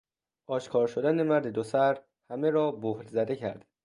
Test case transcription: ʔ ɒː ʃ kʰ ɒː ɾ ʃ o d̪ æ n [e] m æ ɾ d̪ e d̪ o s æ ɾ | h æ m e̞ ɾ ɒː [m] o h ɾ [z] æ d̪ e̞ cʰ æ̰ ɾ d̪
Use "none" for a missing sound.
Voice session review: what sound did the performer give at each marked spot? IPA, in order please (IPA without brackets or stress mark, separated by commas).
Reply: e, b, z